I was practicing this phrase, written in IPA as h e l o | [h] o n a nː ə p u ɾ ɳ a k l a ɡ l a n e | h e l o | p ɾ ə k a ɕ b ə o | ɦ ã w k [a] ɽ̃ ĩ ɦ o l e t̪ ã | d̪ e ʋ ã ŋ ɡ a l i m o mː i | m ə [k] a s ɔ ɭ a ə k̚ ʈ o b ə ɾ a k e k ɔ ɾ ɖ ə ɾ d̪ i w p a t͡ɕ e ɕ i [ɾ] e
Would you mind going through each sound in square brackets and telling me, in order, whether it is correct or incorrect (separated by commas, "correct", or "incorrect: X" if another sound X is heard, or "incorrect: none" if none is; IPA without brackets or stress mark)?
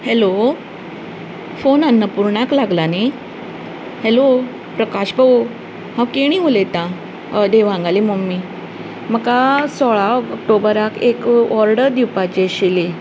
incorrect: f, incorrect: e, correct, incorrect: l